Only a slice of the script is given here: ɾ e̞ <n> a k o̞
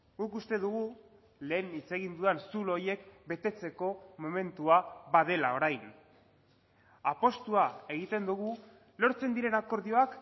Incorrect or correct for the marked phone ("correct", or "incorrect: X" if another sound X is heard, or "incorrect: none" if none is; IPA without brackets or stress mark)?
correct